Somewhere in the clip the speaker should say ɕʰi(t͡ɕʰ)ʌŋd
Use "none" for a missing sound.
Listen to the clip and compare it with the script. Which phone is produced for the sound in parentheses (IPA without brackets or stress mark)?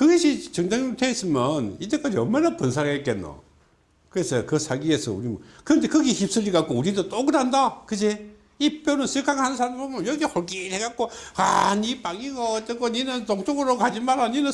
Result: t͡ɕ